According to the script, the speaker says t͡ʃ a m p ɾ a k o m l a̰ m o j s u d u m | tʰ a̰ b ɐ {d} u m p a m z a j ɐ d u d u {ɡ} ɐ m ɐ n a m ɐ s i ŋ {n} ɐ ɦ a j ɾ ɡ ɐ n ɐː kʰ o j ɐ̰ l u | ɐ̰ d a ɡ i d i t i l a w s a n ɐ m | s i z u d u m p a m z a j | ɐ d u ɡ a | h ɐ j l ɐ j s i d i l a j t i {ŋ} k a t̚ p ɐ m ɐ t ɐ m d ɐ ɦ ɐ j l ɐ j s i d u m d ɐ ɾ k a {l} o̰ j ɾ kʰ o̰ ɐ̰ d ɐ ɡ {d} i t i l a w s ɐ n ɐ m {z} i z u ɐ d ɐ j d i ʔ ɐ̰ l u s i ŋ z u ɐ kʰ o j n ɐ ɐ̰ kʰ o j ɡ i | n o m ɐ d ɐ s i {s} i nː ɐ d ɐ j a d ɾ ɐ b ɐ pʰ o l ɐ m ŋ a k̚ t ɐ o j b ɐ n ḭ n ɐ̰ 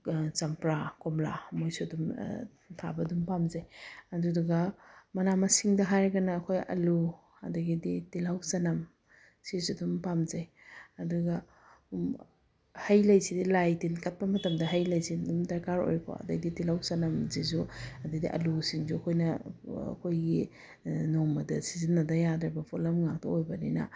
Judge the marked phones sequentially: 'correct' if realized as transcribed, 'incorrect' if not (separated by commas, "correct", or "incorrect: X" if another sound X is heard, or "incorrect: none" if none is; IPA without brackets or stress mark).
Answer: correct, correct, incorrect: d, incorrect: n, incorrect: ɾ, correct, correct, incorrect: z